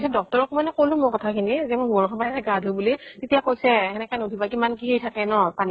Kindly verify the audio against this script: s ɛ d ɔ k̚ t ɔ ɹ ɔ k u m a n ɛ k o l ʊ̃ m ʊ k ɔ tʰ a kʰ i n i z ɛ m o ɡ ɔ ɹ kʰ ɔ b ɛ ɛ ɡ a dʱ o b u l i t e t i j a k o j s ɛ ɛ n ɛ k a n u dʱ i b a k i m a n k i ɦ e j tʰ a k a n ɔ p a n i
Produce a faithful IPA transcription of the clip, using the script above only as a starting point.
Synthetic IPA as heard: s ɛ d ɔ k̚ t ɔ ɹ ɔ k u m a n ɛ k o l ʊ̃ m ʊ k ɔ tʰ a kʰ i n i z ɛ m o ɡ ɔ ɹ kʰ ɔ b a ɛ ɡ a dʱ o b u l i t e t i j a k o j s ɛ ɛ n ɛ k a n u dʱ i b a k i m a n k i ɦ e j tʰ a k ɛ n ɔ p a n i

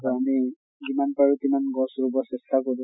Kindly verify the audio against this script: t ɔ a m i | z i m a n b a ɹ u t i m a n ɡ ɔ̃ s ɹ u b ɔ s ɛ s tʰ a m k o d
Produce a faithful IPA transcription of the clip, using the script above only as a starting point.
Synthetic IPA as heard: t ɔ a m i | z i m a n p a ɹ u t i m a n ɡ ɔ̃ s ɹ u b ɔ s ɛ s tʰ a k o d

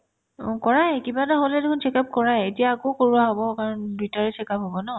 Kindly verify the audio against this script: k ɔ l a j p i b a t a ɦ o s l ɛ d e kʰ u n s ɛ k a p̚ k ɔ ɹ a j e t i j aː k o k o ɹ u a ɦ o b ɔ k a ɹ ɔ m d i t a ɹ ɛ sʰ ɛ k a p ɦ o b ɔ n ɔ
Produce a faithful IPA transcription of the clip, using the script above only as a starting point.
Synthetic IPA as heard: k ɔ ɹ a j k i b a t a ɦ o l ɛ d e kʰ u n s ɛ k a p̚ k ɔ ɹ a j e t i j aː k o k o ɹ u a ɦ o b ɔ k a ɹ ɔ n d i t a ɹ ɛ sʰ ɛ k a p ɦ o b ɔ n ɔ

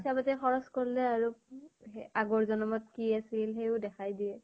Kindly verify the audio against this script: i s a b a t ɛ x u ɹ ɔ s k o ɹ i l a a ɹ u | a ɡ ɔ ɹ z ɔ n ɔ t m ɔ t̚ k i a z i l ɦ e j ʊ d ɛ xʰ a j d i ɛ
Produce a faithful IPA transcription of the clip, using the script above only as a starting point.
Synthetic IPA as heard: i s a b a t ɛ x ɔ ɹ ɔ s k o ɹ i l ɛ a ɹ u | a ɡ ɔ ɹ z ɔ n ɔ m ɔ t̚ k i a s i l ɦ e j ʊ d ɛ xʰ a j d i ɛ

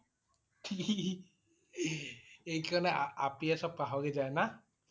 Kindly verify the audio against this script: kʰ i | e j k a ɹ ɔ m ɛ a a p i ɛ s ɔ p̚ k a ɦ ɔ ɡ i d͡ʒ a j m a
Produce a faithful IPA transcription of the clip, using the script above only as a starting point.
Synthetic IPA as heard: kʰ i | e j k a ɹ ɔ n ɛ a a p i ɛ s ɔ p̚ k a ɦ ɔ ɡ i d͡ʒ a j n a

